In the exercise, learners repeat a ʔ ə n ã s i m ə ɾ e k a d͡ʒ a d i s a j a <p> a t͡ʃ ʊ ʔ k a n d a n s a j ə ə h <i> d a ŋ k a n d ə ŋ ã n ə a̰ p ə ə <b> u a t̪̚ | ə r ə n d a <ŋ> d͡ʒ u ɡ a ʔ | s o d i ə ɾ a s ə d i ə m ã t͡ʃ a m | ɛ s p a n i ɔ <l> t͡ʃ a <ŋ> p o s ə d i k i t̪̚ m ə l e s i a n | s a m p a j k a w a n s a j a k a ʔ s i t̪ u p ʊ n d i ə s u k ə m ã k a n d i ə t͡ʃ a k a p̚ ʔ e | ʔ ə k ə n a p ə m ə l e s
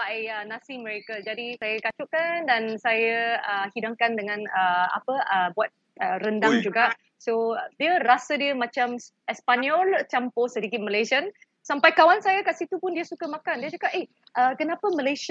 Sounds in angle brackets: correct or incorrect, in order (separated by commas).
incorrect, correct, correct, correct, correct, incorrect